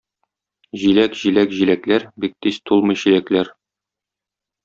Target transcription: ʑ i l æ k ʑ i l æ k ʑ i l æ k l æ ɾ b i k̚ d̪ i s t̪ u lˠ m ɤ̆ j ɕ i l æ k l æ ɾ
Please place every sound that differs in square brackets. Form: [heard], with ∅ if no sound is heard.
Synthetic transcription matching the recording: ʑ i l æ k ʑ i l æ k ʑ i l æ k l æ ɾ b i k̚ [t̪] i s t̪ u lˠ m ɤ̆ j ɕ i l æ k l æ ɾ